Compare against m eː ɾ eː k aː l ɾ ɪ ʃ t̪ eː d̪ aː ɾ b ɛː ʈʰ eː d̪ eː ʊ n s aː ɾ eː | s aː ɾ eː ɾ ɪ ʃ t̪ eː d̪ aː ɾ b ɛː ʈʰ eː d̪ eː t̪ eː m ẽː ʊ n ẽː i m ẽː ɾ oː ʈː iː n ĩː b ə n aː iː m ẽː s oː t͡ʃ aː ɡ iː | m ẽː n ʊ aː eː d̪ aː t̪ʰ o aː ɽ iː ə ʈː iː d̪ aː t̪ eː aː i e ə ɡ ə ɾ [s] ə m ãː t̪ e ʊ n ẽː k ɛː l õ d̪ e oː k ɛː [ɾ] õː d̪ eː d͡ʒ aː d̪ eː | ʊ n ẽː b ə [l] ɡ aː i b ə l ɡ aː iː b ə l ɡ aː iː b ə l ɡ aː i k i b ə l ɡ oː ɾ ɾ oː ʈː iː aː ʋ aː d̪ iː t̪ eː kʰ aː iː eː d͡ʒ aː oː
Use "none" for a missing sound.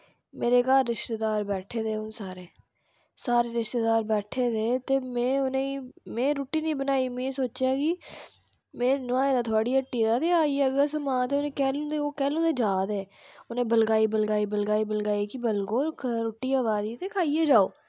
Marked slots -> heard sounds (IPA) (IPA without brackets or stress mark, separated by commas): s, l, l